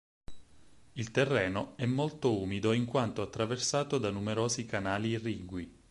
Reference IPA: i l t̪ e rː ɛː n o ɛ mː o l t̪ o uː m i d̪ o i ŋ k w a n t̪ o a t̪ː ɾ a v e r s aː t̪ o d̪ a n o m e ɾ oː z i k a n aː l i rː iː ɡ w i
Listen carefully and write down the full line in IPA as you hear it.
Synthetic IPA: i l t̪ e rː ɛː n o ɛ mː o l t̪ o uː m i d̪ o i ŋ k w a n t̪ o a t̪ː ɾ a v e r s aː t̪ o d̪ a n u m e ɾ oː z i k a n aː l i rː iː ɡ w i